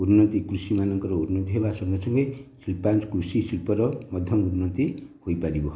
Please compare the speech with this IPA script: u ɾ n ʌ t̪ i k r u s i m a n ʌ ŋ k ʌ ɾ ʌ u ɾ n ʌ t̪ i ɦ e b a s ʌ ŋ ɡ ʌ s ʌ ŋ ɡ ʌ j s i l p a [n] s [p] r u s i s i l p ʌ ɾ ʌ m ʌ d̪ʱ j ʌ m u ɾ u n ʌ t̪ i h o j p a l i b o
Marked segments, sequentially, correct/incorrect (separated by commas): correct, incorrect